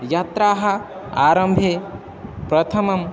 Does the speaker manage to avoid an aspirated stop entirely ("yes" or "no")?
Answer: no